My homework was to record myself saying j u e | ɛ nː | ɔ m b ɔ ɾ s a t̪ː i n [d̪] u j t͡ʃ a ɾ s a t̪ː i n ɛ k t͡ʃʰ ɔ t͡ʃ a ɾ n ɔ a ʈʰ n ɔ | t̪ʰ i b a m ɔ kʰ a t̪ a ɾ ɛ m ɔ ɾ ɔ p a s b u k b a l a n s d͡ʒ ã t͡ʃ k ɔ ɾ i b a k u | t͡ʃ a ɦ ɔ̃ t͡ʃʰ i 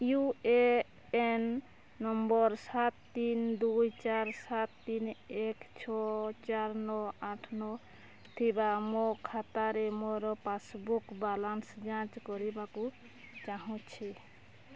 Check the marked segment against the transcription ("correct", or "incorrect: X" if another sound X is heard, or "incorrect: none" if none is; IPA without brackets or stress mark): correct